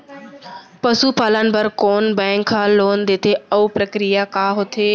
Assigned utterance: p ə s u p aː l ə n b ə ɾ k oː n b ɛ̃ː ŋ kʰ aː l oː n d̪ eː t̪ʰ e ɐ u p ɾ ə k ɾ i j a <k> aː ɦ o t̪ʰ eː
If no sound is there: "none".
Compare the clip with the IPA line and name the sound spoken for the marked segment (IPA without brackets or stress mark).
k